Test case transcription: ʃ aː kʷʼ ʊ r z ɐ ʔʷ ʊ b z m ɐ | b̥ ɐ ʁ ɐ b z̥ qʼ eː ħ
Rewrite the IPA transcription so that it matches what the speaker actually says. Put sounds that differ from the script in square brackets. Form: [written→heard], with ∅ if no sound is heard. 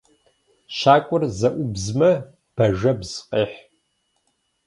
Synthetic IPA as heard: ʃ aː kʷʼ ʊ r z ɐ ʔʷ ʊ b z m ɐ | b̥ ɐ [ʁ→ʒ] ɐ b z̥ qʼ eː ħ